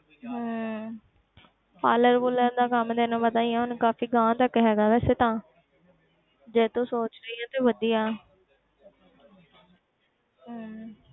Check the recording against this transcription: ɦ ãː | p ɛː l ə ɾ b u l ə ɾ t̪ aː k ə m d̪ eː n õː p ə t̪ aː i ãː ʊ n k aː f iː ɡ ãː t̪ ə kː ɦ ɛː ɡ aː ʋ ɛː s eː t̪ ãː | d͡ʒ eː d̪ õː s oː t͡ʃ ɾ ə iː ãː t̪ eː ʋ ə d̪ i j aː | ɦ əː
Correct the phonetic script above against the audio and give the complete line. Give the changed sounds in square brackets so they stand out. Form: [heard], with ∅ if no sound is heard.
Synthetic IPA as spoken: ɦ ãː | p [aː] l ə ɾ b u l ə ɾ [d̪] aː k ə m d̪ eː n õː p ə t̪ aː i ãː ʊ n k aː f iː ɡ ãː t̪ ə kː ɦ ɛː ɡ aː ʋ ɛː s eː t̪ ãː | d͡ʒ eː [t̪] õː s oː t͡ʃ ɾ ə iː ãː t̪ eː ʋ ə d̪ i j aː | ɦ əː